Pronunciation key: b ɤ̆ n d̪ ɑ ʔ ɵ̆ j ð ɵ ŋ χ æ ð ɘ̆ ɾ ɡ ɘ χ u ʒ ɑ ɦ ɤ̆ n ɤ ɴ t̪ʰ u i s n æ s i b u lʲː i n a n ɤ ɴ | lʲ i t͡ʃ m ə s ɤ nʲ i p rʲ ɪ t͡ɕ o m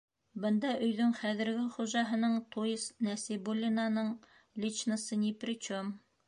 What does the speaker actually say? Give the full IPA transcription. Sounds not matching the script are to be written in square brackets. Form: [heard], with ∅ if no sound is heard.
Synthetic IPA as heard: b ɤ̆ n d̪ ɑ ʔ ɵ̆ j ð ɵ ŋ χ æ ð ɘ̆ ɾ ɡ ɘ χ u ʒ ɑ ɦ ɤ̆ n ɤ ɴ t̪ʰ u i s n æ s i b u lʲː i n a n ɤ ɴ | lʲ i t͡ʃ [n] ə s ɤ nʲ i p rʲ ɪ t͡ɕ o m